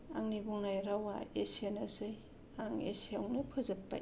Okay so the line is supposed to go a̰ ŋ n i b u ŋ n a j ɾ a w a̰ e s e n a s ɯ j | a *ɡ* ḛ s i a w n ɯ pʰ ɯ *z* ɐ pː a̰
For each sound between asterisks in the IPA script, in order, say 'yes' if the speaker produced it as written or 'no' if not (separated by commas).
no, yes